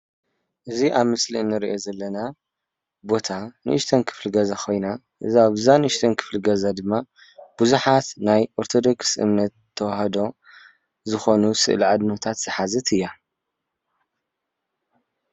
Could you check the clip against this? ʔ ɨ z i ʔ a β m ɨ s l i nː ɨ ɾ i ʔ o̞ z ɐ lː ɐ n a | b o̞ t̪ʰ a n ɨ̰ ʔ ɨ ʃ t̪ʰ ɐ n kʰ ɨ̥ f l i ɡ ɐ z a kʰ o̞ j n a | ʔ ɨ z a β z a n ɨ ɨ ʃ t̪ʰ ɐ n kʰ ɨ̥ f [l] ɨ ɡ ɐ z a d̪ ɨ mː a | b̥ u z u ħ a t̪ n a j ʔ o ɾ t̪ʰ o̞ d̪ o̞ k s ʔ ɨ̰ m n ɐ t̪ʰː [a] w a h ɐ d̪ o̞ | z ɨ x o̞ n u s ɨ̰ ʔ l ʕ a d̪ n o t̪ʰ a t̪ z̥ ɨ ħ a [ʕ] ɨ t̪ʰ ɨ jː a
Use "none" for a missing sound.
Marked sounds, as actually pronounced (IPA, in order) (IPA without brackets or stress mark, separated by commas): l, ɐ, z